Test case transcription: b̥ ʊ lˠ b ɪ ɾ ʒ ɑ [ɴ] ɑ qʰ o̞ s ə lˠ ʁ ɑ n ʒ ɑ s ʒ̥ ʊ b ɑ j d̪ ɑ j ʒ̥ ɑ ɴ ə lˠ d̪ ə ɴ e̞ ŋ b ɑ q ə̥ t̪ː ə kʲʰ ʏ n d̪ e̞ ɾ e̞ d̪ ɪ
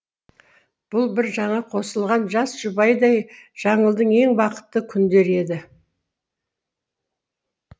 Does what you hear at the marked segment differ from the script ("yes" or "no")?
no